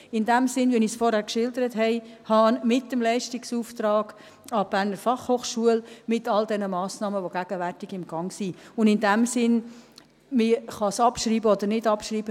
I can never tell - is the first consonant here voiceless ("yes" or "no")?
no